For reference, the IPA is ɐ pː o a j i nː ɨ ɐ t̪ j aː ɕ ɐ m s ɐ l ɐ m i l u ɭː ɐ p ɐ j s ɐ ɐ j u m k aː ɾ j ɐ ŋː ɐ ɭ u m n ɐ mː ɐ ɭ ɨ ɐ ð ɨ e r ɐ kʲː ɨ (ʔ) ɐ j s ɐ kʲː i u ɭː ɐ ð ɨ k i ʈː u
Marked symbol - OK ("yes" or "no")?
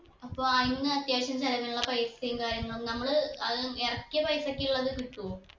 no